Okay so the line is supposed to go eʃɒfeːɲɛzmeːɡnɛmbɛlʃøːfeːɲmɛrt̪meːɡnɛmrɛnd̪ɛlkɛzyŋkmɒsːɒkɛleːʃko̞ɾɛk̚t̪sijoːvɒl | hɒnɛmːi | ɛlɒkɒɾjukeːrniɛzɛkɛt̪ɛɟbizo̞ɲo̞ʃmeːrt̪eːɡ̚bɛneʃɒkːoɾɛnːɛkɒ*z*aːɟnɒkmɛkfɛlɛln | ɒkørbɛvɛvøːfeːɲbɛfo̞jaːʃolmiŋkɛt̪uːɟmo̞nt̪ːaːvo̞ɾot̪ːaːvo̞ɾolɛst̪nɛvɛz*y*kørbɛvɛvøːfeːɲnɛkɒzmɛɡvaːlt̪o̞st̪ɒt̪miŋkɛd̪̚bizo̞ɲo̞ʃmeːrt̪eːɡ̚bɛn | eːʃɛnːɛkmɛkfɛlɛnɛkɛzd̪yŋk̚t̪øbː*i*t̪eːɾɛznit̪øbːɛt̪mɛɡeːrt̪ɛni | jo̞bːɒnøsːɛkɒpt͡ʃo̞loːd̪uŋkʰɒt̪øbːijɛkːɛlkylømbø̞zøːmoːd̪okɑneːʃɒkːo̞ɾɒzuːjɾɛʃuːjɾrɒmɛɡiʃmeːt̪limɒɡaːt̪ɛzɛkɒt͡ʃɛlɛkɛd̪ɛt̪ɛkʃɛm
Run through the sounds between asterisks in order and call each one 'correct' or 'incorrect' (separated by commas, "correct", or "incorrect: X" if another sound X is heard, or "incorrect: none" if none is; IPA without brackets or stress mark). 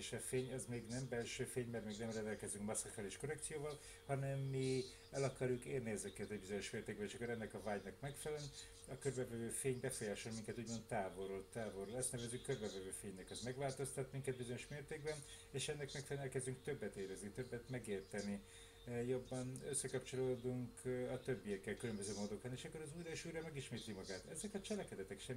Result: incorrect: v, correct, incorrect: ɛ